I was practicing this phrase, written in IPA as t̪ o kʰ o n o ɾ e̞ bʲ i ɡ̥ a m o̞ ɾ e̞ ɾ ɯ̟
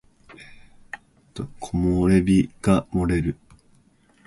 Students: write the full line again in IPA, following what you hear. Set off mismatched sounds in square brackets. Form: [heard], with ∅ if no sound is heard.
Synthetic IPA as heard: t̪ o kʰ o [m] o ɾ e̞ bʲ i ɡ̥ a m o̞ ɾ e̞ ɾ ɯ̟

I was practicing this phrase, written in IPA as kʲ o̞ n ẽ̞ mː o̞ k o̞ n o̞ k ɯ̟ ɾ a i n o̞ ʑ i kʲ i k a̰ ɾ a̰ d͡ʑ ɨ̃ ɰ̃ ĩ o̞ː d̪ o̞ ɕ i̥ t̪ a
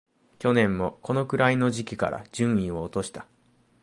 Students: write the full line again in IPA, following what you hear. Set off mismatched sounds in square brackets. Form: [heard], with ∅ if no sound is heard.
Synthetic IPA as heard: kʲ o̞ n ẽ̞ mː o̞ k o̞ n o̞ k ɯ̟ ɾ a i n o̞ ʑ i kʲ i k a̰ ɾ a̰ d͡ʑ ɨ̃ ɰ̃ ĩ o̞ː [t̪] o̞ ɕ i̥ t̪ a

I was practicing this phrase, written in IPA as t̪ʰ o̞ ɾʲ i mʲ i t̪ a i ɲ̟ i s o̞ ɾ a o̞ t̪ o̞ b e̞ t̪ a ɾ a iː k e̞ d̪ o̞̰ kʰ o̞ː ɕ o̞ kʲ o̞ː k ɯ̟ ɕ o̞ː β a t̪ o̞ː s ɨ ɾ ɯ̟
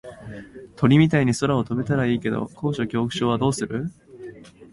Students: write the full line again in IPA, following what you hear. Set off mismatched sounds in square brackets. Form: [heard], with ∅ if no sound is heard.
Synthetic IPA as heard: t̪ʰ o̞ ɾʲ i mʲ i t̪ a i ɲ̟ i s o̞ ɾ a o̞ t̪ o̞ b e̞ t̪ a ɾ a iː k e̞ d̪ o̞̰ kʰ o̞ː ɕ o̞ kʲ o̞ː k ɯ̟ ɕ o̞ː β a [d̪] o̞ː s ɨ ɾ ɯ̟

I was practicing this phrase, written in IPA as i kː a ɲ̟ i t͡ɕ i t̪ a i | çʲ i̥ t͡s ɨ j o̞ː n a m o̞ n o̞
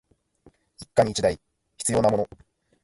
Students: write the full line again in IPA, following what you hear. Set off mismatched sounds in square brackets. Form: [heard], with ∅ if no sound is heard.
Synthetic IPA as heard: i kː a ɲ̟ i t͡ɕ i [d̪] a i | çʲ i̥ t͡s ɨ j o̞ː n a m o̞ n o̞

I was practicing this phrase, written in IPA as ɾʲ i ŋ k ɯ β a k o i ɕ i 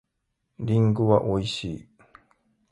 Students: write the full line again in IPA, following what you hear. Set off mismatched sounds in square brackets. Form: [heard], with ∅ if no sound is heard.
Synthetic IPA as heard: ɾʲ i ŋ [ɡ] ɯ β a [ʔ] o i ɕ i

